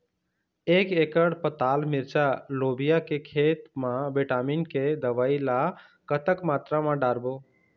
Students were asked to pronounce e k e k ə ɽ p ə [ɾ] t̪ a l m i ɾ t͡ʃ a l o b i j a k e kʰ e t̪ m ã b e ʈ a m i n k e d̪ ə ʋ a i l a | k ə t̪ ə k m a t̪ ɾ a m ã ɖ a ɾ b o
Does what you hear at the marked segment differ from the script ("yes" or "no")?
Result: yes